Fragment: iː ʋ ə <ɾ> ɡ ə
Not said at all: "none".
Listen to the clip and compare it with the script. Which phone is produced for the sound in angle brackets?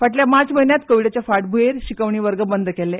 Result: ɾ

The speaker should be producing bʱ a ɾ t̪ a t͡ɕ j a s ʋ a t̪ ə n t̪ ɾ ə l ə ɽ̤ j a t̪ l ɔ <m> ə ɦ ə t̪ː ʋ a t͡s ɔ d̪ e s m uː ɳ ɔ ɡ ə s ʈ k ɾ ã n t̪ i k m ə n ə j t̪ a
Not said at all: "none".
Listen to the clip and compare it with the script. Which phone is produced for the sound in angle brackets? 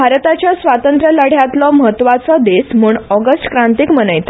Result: m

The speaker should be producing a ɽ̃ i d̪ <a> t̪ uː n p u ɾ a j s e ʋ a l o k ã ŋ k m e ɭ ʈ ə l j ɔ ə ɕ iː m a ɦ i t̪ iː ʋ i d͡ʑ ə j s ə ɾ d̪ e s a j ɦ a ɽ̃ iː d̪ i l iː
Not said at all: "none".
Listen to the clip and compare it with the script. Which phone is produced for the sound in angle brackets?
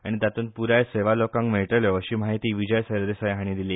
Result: a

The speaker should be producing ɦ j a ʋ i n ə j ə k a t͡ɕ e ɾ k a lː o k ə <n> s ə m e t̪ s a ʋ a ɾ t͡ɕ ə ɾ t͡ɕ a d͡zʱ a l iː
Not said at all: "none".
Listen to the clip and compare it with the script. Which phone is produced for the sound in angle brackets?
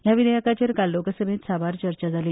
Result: none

